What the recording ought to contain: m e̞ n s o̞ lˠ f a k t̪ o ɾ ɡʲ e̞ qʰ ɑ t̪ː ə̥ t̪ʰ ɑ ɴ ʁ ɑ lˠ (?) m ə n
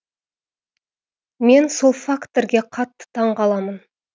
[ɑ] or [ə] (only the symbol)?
ɑ